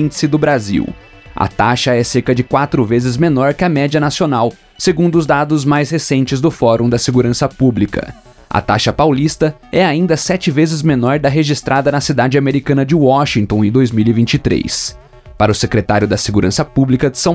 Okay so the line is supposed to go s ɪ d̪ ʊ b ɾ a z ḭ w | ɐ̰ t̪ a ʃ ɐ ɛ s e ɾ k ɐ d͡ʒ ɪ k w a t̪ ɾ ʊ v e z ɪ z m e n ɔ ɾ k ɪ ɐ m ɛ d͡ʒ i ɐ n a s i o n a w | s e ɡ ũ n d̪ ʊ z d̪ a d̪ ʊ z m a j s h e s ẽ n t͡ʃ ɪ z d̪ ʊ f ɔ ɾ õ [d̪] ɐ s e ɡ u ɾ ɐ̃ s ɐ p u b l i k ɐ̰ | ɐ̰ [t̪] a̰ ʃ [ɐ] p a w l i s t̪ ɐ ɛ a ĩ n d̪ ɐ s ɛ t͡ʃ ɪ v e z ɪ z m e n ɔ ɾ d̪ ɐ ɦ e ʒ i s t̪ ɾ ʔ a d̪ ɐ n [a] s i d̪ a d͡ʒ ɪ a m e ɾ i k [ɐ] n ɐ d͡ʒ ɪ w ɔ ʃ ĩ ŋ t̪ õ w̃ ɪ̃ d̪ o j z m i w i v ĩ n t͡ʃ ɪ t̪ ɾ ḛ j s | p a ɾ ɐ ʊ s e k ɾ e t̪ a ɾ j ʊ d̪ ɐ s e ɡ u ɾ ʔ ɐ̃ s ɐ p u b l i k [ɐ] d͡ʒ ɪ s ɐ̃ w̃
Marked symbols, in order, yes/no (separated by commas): yes, yes, yes, no, no, yes